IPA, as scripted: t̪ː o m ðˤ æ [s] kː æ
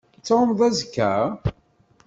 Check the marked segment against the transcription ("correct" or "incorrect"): incorrect